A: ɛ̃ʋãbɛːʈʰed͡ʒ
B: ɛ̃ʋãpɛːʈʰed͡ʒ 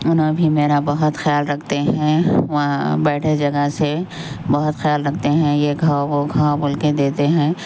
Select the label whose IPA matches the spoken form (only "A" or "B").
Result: A